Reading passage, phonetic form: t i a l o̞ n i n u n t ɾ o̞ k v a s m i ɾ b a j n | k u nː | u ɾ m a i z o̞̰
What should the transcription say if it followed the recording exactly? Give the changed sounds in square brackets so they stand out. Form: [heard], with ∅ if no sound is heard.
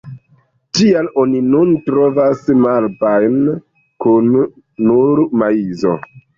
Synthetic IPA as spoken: t i a l o̞ n i n u n t ɾ o̞ [∅] v a s m [a] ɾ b a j n | k u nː | u ɾ m a i z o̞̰